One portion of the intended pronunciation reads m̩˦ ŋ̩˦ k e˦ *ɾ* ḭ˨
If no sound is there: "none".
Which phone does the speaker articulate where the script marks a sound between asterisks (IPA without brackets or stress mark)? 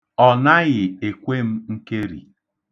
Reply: ɾ